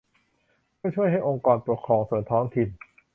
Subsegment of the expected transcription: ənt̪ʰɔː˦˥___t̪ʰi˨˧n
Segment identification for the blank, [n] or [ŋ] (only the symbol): ŋ